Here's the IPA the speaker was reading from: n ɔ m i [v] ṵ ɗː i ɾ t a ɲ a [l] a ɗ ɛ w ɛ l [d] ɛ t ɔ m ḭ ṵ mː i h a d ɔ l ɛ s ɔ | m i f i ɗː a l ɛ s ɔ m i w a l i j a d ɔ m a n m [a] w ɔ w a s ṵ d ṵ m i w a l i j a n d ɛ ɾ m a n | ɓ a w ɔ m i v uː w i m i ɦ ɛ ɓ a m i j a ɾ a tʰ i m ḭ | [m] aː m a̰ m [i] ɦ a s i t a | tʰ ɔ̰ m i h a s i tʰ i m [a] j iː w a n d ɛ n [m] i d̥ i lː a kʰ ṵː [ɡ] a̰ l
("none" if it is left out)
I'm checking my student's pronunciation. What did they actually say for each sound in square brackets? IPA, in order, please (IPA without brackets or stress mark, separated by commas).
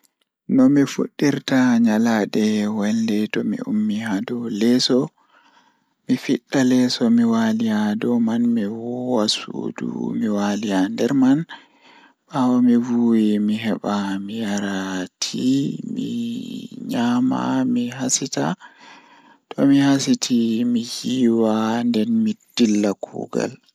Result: f, l, d, i, ɲ, i, i, m, ɡ